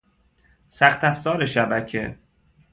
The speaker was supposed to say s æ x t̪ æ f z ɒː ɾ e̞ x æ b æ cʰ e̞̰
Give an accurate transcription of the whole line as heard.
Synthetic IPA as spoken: s æ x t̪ æ f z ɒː ɾ e̞ ʃ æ b æ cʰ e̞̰

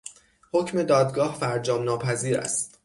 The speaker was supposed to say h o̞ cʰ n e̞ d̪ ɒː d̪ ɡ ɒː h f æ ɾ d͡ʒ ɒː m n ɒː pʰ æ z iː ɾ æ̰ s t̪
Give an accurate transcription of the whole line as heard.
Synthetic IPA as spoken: h o̞ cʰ m e̞ d̪ ɒː d̪ ɡ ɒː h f æ ɾ d͡ʒ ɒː m n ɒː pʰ æ z iː ɾ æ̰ s t̪

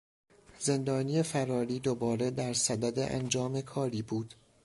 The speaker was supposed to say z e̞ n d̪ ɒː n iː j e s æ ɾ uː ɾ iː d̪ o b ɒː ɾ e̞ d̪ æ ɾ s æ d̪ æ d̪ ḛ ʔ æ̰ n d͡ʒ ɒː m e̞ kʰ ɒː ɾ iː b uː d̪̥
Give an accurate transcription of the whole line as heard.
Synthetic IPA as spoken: z e̞ n d̪ ɒː n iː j e f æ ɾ ɒː ɾ iː d̪ o b ɒː ɾ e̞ d̪ æ ɾ s æ d̪ æ d̪ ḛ ʔ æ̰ n d͡ʒ ɒː m e̞ kʰ ɒː ɾ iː b uː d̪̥

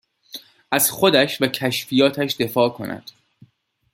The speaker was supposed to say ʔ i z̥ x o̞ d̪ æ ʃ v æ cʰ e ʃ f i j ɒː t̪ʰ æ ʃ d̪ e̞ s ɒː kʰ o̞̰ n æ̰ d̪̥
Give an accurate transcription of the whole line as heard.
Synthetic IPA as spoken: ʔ æ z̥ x o̞ d̪ æ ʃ v æ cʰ æ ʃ f i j ɒː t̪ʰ æ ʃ d̪ e̞ f ɒː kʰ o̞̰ n æ̰ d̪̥

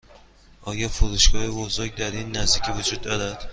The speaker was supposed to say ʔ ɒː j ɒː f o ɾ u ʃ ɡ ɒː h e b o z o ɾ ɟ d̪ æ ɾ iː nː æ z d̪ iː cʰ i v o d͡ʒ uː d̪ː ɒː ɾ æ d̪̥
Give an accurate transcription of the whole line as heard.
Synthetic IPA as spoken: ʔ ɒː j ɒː f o ɾ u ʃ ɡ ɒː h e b o z o ɾ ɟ d̪ æ ɾ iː nː æ z d̪ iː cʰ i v o d͡ʒ uː d̪ː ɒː ɾ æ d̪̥

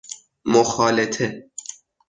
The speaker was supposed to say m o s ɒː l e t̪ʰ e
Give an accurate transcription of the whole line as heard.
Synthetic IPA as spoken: m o x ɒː l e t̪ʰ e

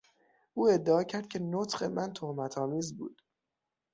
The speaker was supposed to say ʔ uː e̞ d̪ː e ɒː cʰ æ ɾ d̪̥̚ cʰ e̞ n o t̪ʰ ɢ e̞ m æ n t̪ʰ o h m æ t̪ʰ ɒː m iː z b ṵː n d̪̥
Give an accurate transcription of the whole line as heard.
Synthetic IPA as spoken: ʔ uː e̞ d̪ː e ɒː cʰ æ ɾ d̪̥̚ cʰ e̞ n o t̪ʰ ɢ e̞ m æ n t̪ʰ o h m æ t̪ʰ ɒː m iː z b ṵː d̪̥

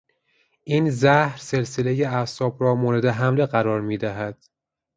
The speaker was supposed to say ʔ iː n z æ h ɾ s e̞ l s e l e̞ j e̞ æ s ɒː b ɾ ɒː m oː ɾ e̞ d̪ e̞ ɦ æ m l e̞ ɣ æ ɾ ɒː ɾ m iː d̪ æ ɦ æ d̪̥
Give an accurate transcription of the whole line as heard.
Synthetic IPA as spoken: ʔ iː n z æ h ɾ s e̞ l s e l e̞ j e̞ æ s ɒː b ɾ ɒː m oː ɾ e̞ d̪ e̞ ɦ æ m l e̞ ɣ æ ɾ ɒː ɾ m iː d̪ æ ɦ æ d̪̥

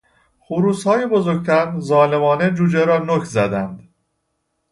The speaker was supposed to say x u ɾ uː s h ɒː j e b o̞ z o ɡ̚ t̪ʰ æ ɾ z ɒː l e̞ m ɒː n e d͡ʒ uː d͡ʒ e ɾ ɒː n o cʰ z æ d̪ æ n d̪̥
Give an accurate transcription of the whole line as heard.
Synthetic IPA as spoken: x u ɾ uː s h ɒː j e b o̞ z o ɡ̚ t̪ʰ æ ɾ z ɒː l e̞ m ɒː n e d͡ʒ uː d͡ʒ e ɾ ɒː n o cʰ z æ d̪ æ n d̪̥

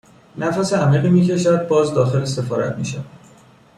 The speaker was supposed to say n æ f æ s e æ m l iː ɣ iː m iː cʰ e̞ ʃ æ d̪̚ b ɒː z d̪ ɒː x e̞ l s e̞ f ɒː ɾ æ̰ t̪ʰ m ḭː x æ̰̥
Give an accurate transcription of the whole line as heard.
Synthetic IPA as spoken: n æ f æ s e æ m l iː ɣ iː m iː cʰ e̞ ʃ æ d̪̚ b ɒː z d̪ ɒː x e̞ l s e̞ f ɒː ɾ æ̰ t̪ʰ m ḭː ʃ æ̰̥

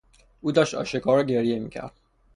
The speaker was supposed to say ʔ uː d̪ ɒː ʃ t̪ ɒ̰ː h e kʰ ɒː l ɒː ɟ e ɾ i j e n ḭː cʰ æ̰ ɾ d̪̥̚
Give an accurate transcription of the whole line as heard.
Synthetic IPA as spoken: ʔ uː d̪ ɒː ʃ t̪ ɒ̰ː ʃ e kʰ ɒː ɾ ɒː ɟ e ɾ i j e m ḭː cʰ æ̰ ɾ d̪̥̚

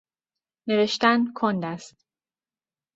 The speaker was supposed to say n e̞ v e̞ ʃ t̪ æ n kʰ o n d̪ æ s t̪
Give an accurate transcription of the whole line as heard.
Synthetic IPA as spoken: n e̞ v e̞ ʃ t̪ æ n kʰ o n d̪ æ s t̪

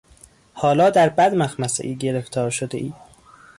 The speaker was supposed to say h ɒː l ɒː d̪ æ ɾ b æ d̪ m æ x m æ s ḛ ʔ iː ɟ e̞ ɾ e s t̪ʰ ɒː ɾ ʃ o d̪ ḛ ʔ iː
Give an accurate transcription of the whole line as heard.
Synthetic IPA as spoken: h ɒː l ɒː d̪ æ ɾ b æ d̪ m æ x m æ s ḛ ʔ iː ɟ e̞ ɾ e f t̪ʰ ɒː ɾ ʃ o d̪ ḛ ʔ iː

